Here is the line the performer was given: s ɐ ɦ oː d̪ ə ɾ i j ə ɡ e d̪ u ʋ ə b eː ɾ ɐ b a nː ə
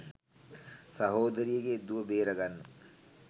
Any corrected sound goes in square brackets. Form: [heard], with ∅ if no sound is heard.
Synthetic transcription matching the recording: s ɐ ɦ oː d̪ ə ɾ i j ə ɡ e d̪ u ʋ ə b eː ɾ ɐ [ɡ] a nː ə